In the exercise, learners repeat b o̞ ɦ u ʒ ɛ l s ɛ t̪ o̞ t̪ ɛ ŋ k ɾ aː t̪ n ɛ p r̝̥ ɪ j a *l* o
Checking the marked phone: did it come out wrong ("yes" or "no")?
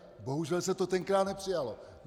no